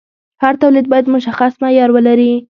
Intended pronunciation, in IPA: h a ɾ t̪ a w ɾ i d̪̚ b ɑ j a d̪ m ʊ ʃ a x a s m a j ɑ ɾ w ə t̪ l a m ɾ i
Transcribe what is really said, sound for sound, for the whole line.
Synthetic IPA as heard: h a ɾ t̪ a w l i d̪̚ b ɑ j a d̪ m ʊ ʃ a x a s m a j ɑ ɾ w ə l a ɾ i